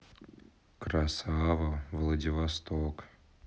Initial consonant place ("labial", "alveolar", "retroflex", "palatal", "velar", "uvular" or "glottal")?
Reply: velar